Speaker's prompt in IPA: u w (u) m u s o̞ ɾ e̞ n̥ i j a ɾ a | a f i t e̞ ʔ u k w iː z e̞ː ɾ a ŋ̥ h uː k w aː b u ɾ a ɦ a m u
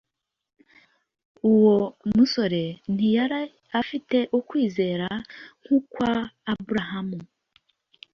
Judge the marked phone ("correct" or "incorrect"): incorrect